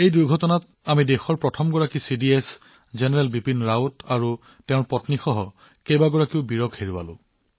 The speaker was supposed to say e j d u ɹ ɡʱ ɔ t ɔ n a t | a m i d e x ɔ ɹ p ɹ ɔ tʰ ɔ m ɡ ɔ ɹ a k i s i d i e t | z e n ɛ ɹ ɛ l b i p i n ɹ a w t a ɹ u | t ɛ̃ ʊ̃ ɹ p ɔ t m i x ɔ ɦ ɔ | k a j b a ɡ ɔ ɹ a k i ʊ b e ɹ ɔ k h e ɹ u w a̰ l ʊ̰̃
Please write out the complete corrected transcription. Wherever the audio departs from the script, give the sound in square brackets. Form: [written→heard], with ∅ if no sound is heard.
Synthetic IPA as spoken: e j d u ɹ ɡʱ ɔ t ɔ n a t | a m i d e x ɔ ɹ p ɹ ɔ tʰ ɔ m ɡ ɔ ɹ a k i s i d i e [t→s] | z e n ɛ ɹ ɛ l b i p i n ɹ a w t a ɹ u | t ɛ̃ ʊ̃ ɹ p ɔ t [m→n] i x ɔ ɦ ɔ | k [a→e] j b a ɡ ɔ ɹ a k i ʊ b [e→i] ɹ ɔ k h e ɹ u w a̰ l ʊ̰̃